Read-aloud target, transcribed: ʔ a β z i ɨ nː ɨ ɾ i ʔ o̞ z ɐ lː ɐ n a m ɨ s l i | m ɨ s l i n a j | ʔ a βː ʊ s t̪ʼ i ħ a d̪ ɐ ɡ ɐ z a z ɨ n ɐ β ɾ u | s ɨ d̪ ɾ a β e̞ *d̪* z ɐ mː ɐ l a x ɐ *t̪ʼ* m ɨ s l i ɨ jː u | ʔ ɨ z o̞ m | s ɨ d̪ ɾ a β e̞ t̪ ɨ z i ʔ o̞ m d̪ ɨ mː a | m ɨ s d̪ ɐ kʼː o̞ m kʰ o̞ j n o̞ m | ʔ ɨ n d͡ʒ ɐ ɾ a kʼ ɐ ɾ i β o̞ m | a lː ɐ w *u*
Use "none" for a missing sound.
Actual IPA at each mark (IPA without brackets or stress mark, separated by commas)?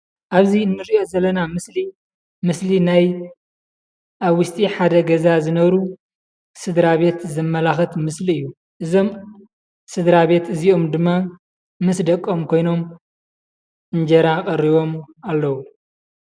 t̪, t̪, u